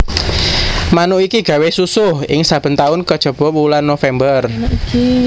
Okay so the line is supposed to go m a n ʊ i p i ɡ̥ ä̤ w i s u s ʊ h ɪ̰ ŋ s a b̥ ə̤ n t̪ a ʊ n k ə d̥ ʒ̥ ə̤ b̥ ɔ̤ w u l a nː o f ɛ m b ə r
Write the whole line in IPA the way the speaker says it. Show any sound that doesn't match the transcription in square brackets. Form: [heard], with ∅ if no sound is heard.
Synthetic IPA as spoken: m a n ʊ i [k] i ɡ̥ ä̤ w [e] s u s ʊ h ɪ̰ ŋ s a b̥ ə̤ n t̪ a ʊ n k ə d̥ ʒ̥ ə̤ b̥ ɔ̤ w u l a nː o f ɛ m b ə r